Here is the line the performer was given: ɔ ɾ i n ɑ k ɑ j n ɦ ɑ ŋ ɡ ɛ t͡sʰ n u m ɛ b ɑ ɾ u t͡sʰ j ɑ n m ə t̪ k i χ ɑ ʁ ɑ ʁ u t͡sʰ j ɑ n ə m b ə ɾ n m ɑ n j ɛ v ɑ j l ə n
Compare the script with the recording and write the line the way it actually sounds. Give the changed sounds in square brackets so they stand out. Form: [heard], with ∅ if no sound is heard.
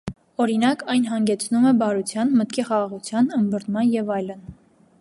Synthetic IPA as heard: ɔ ɾ i n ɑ k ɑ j n ɦ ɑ ŋ ɡ ɛ t͡sʰ n u m ɛ b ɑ ɾ u t͡sʰ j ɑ n m ə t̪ k i χ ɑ ʁ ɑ ʁ u t͡sʰ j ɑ n ə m b ə ɾ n m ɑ n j ɛ v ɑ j l ə n